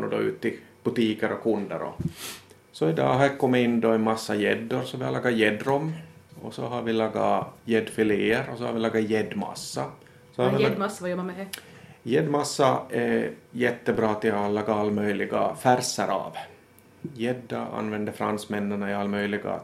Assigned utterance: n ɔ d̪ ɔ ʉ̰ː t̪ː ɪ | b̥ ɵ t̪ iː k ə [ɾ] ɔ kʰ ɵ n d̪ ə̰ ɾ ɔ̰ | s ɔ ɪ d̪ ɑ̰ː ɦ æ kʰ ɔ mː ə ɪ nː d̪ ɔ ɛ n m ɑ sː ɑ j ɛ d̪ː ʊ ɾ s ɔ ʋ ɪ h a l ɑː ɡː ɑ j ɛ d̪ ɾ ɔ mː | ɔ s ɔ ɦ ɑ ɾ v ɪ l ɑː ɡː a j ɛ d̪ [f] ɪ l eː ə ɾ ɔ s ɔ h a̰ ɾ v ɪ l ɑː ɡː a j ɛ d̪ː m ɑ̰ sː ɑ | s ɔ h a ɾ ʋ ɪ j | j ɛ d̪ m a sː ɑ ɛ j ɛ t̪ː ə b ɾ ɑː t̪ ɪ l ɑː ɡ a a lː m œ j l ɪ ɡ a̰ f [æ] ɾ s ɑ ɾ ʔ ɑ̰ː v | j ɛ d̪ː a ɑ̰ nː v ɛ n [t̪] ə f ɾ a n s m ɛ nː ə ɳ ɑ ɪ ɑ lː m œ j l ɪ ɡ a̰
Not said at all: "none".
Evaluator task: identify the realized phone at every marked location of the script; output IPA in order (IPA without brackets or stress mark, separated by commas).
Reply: ɾ, f, æ, d̪